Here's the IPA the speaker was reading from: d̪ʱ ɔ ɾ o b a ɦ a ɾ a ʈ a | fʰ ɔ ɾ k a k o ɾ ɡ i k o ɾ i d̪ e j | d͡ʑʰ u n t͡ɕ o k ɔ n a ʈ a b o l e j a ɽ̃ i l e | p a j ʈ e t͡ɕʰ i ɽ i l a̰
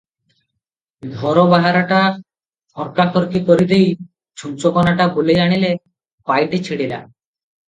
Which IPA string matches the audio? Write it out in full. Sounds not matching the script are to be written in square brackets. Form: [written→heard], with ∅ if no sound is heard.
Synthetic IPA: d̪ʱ ɔ ɾ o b a ɦ a ɾ a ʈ a | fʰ ɔ ɾ k a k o ɾ [ɡ→k] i k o ɾ i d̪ e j | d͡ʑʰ u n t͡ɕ o k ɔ n a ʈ a b o l e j a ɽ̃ i l e | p a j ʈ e t͡ɕʰ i ɽ i l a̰